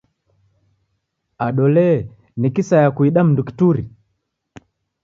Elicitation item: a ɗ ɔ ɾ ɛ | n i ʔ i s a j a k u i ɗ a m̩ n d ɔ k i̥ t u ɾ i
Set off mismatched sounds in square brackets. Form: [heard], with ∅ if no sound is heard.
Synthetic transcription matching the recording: a ɗ ɔ [l] ɛ | n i [k] i s a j a k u i ɗ a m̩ n d [u] k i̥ t u ɾ i

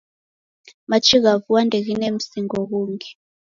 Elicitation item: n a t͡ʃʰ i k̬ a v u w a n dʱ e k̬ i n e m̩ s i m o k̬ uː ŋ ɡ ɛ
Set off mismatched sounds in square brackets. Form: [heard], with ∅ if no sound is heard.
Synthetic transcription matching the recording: [m] a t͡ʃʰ i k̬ a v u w a n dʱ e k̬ i n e m̩ s i [ŋ] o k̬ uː ŋ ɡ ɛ

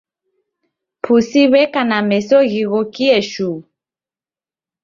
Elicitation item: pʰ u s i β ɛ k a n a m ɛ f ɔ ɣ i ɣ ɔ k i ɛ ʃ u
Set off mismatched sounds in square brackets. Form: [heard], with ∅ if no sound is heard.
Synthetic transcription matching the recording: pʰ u s i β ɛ k a n a m ɛ [s] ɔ ɣ i ɣ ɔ k i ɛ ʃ u

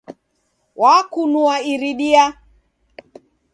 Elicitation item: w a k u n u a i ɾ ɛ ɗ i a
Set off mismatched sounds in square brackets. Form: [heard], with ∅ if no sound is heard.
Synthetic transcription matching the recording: w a k u n u a i ɾ [i] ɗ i a

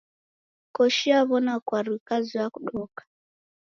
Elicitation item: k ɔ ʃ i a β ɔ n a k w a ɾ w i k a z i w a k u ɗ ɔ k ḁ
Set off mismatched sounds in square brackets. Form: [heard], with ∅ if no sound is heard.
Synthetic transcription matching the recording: k ɔ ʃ i a β ɔ n a k w a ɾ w i k a z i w a k u ɗ ɔ k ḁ

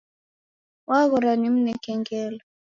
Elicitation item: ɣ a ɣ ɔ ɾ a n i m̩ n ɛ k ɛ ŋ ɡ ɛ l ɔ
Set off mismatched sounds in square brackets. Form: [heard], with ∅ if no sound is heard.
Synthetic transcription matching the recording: [w] a ɣ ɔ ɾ a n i m̩ n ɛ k ɛ ŋ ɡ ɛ l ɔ

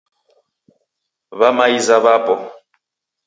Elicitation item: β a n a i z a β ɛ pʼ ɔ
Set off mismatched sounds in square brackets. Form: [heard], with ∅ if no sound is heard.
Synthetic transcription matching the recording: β a [m] a i z a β [a] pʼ ɔ

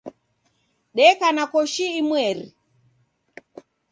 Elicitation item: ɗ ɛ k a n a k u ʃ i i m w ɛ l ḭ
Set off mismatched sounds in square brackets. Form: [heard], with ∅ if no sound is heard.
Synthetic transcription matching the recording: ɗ ɛ k a n a k [ɔ] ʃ i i m w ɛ [ɾ] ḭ

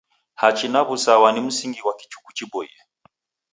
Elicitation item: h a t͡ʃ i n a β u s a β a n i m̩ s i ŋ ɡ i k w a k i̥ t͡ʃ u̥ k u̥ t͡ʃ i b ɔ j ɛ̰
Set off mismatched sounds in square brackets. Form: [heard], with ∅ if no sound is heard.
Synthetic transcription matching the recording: h a t͡ʃ i n a β u s a [w] a n i m̩ s i ŋ ɡ i [∅] w a k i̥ t͡ʃ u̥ k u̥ t͡ʃ i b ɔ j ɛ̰

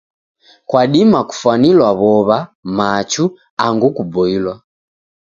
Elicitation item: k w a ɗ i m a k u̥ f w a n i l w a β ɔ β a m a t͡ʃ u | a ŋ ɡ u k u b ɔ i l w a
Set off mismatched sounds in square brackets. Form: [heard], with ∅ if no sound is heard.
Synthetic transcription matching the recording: k w a ɗ i m a k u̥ f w a n i l w a β ɔ β a m a t͡ʃ u | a ŋ ɡ u k u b ɔ i l w a

